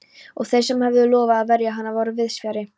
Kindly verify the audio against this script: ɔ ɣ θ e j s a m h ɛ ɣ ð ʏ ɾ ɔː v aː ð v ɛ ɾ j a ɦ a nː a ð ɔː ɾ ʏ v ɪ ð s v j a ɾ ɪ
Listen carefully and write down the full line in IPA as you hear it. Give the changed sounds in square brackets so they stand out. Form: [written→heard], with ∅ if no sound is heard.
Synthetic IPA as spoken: ɔ ɣ θ e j s [a→ɛ] m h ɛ [ɣ→v] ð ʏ [ɾ→l] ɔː v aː ð v ɛ ɾ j a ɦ a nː a [ð→v] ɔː ɾ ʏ v ɪ ð s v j a ɾ ɪ